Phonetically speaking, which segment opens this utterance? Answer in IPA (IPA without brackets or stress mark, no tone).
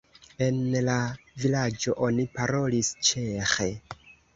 e̞